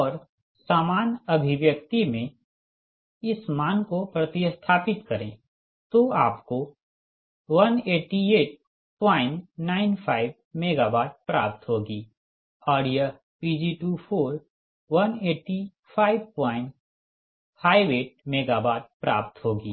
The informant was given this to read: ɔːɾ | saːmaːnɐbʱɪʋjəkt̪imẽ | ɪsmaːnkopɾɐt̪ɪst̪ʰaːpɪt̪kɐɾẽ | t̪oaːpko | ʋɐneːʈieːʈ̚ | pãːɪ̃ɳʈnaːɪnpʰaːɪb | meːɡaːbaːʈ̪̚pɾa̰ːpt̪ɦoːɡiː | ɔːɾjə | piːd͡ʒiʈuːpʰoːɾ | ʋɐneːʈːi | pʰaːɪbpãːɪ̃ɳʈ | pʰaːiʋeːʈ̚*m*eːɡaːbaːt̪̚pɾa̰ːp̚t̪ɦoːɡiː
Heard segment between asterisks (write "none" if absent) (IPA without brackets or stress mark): m